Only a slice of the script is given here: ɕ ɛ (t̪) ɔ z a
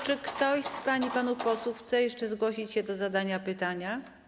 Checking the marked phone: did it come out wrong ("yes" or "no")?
yes